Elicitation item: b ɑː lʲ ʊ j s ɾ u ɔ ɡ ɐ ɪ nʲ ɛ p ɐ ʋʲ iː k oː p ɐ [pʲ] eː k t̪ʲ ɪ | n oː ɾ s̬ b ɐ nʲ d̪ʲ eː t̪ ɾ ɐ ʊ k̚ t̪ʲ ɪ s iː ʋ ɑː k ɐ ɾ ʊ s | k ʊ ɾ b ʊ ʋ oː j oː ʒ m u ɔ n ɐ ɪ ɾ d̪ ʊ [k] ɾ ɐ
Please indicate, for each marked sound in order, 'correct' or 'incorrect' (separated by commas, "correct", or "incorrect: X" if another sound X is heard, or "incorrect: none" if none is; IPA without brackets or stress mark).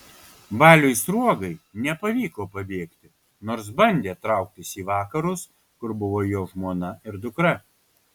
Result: incorrect: bʲ, correct